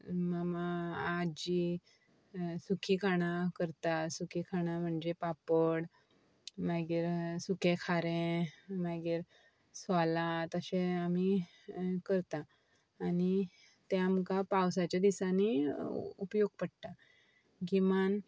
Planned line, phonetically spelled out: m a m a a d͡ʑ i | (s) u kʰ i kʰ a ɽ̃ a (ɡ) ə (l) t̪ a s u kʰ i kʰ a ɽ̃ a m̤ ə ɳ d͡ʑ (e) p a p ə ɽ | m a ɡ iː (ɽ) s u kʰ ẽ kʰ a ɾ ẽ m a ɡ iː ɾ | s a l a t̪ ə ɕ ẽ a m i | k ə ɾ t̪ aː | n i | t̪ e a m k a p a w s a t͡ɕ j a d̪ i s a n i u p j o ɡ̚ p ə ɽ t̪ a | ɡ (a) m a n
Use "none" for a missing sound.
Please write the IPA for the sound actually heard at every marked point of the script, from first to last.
s, k, ɾ, e, ɾ, i

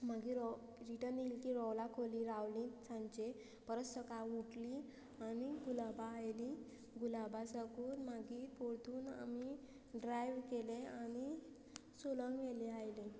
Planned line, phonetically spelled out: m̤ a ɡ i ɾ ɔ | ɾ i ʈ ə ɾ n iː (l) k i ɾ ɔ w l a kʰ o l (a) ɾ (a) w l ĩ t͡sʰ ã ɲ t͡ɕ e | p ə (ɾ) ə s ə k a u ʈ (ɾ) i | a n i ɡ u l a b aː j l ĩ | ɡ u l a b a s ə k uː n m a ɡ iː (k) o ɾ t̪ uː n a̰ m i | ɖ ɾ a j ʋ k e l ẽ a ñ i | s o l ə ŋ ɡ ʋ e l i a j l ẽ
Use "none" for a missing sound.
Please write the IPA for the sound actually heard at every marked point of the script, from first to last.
l, i, a, ɾ, l, p

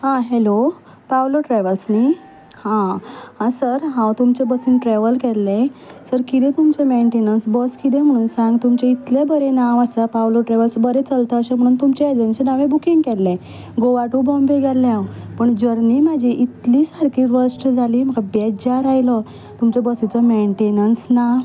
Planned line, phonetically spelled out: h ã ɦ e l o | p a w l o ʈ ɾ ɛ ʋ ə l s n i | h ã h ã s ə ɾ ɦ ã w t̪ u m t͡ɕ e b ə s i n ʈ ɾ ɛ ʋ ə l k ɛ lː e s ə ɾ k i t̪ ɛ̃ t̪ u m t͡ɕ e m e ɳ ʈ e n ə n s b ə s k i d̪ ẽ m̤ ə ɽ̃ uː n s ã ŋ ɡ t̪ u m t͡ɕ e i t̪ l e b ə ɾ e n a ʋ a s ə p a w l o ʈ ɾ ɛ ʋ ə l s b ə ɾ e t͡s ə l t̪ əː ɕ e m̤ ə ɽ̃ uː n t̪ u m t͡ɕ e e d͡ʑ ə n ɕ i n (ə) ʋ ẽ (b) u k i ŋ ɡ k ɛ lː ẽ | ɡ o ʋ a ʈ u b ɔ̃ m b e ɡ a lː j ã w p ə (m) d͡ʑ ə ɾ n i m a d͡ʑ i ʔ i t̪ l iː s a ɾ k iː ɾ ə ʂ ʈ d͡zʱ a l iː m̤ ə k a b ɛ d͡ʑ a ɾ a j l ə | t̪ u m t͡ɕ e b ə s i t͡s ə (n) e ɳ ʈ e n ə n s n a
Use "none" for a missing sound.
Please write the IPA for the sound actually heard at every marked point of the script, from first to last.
a, b, ɳ, m

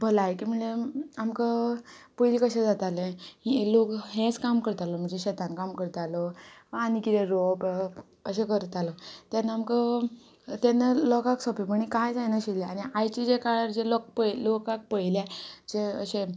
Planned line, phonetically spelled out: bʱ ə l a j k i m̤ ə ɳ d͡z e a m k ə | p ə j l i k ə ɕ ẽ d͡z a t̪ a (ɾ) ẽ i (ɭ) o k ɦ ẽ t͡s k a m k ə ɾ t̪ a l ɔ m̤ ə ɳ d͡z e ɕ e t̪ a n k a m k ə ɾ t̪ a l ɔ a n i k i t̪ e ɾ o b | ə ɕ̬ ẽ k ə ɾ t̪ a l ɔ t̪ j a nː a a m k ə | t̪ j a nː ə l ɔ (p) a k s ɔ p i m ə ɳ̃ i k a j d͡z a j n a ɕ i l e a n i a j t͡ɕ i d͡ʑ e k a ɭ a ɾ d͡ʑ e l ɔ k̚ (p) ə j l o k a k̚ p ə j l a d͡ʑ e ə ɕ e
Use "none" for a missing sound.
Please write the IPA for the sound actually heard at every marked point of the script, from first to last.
l, l, k, p

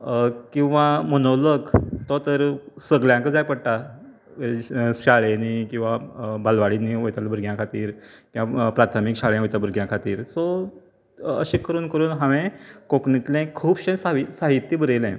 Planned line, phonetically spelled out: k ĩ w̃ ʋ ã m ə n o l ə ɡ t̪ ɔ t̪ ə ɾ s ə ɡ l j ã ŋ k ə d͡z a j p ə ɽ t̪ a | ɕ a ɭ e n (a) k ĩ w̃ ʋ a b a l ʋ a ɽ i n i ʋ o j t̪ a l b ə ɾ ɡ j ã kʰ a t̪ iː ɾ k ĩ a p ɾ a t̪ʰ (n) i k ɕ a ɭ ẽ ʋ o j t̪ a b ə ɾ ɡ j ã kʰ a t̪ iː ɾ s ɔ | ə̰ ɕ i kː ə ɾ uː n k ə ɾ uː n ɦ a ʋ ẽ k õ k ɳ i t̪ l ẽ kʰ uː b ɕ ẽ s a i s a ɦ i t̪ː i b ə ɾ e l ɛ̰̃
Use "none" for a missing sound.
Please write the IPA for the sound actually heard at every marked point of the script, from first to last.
i, m

